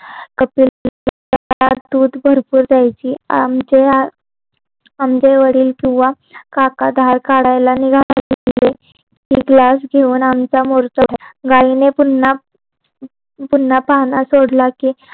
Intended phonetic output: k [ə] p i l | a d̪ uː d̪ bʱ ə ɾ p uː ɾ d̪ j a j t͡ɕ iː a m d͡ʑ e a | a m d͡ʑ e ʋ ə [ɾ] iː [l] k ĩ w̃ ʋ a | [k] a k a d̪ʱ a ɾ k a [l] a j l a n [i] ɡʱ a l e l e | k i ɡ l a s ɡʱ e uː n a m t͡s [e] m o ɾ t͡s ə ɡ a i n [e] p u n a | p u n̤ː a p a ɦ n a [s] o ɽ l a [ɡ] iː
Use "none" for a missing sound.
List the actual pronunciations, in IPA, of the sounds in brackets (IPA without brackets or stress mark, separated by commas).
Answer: ə, ɽ, l, k, ɽ, i, a, e, s, k